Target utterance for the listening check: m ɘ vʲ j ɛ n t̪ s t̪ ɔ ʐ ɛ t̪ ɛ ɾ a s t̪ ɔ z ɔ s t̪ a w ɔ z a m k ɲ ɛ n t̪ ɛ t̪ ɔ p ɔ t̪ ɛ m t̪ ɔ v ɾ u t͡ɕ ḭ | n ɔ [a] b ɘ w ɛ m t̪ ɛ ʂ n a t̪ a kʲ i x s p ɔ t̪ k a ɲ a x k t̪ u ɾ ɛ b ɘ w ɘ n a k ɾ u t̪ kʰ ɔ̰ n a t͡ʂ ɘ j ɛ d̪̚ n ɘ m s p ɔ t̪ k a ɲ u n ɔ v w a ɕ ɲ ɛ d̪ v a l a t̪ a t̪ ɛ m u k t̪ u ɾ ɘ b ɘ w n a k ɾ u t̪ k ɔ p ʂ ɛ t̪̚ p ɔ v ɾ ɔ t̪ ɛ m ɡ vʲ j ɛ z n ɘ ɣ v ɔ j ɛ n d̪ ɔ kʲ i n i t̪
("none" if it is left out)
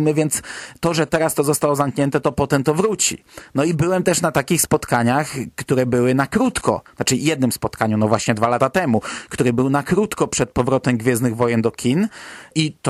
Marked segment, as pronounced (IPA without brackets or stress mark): i